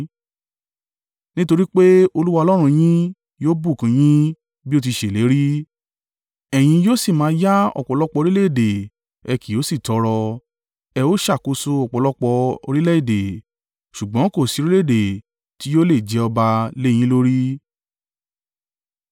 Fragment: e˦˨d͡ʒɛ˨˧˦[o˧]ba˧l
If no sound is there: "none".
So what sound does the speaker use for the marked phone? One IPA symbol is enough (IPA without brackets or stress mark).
ɔ˧